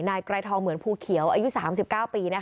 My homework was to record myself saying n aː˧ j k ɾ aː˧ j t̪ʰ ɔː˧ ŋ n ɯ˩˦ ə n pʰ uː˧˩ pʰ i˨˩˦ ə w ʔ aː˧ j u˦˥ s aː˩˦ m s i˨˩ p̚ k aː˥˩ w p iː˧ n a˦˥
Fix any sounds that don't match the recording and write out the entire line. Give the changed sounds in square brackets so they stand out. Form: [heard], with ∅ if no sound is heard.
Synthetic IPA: n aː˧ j k ɾ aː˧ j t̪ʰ ɔː˧ ŋ [m] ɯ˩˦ ə n pʰ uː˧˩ [kʰ] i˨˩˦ ə w ʔ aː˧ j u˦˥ s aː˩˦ m s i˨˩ p̚ k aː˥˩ w p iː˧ n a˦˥